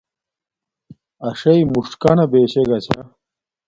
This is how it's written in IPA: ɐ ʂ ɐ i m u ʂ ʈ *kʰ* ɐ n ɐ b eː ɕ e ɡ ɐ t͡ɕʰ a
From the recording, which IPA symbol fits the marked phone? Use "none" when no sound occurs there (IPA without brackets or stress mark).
k